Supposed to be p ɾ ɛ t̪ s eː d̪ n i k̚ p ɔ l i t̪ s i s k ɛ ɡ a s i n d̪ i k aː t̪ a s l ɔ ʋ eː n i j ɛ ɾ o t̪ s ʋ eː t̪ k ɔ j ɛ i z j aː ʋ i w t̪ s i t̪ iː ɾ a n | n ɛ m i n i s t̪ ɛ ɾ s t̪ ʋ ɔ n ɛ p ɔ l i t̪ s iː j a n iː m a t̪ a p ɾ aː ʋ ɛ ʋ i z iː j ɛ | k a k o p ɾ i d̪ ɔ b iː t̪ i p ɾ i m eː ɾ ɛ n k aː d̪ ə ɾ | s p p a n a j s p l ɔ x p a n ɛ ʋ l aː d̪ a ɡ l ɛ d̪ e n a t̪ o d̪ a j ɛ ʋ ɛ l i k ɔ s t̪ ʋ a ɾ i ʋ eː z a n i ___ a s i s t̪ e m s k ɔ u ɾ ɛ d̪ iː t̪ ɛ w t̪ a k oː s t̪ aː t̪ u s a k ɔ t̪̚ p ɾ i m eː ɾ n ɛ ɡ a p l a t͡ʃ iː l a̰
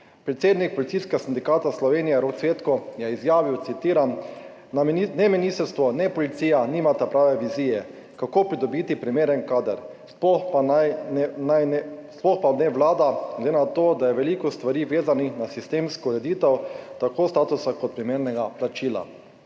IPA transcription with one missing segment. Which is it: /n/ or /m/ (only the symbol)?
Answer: n